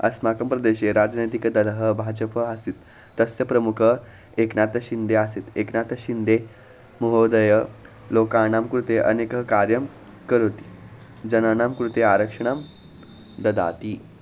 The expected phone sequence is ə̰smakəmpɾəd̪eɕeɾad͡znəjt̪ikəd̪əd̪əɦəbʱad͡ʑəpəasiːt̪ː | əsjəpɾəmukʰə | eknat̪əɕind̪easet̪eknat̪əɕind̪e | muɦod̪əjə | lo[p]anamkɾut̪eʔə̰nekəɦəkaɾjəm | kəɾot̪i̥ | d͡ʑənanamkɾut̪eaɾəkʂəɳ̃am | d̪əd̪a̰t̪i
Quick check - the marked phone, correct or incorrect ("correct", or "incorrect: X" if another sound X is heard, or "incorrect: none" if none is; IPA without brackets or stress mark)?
incorrect: k